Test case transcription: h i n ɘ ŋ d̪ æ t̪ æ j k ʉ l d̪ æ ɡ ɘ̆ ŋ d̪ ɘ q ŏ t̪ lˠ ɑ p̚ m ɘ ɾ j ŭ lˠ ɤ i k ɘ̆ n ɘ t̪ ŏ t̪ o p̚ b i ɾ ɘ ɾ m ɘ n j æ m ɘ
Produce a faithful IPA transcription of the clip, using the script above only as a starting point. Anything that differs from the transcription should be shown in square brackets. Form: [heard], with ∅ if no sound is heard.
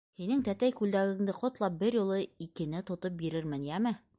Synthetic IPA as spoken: h i n ɘ ŋ [t̪] æ t̪ æ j k ʉ l d̪ æ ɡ ɘ̆ ŋ d̪ ɘ q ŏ t̪ lˠ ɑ p̚ [b] ɘ ɾ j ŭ lˠ ɤ i k ɘ̆ n ɘ t̪ ŏ t̪ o p̚ b i ɾ ɘ ɾ m ɘ n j æ m ɘ